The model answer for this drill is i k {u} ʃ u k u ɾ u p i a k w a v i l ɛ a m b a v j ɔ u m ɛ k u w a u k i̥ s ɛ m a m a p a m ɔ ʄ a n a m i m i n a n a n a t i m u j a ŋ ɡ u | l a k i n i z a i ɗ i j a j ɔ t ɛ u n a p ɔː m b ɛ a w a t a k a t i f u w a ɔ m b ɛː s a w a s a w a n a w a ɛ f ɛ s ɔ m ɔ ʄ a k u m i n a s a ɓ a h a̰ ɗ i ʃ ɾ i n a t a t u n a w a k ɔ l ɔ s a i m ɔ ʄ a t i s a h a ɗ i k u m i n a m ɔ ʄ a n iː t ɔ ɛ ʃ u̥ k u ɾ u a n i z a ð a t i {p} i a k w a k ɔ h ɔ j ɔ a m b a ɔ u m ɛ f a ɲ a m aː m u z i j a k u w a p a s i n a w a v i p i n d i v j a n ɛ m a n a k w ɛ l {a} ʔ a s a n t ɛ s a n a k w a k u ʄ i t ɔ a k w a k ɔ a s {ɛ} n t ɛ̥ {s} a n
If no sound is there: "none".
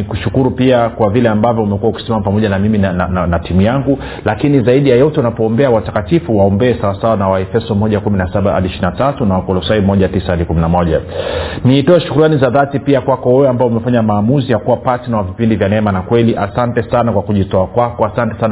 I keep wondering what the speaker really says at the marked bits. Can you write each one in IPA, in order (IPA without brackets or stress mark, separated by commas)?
u, p, i, a, s